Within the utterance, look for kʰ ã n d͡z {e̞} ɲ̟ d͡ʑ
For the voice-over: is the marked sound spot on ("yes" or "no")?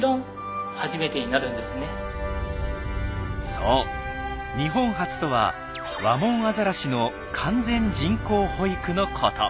no